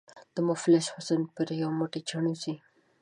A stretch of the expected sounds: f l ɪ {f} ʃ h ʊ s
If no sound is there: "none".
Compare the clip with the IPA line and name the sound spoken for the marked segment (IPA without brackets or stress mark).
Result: none